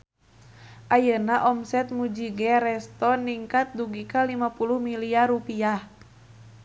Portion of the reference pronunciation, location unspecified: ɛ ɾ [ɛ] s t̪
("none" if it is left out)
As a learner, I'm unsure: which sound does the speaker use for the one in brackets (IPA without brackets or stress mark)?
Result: ɛ